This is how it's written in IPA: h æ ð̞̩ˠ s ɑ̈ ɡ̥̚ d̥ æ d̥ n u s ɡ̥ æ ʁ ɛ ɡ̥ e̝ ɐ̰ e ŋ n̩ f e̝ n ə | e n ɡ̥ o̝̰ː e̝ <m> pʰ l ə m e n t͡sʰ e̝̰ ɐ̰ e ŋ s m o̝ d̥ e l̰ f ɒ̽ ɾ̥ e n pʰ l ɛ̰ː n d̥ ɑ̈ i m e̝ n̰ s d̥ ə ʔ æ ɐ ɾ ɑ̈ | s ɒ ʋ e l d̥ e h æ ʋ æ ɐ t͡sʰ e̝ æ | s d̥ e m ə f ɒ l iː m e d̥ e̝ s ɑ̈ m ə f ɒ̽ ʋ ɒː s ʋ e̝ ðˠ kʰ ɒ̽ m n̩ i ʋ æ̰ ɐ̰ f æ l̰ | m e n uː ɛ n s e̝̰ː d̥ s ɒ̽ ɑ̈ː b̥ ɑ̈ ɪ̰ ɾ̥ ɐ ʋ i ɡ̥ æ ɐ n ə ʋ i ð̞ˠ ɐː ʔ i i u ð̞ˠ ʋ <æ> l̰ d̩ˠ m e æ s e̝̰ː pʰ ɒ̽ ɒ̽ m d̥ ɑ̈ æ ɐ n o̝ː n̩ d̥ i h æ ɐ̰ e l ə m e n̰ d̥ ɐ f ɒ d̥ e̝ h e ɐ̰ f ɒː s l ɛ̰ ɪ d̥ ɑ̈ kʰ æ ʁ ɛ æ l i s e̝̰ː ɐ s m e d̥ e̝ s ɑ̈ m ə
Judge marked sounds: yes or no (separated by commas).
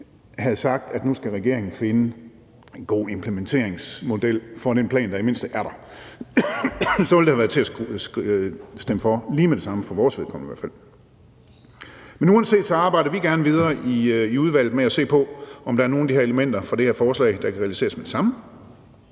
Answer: yes, yes